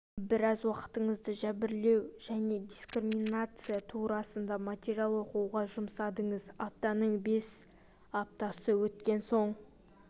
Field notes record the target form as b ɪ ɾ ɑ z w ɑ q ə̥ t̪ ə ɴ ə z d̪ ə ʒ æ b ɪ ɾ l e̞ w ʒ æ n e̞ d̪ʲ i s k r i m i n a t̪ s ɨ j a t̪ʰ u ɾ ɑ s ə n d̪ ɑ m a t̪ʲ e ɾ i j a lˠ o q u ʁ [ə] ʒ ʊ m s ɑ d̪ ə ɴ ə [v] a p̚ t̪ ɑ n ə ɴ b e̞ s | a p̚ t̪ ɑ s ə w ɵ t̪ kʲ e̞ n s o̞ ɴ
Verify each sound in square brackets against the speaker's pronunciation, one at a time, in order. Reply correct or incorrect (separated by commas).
incorrect, incorrect